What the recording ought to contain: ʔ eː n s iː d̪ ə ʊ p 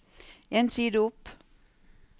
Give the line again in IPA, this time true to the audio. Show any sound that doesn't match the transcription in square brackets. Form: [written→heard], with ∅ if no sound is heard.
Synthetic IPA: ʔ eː n s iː d̪ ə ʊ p